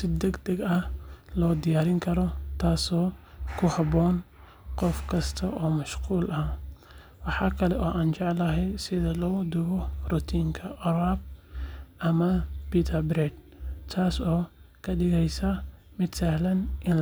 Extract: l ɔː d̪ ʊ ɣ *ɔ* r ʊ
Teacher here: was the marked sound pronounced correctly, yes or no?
yes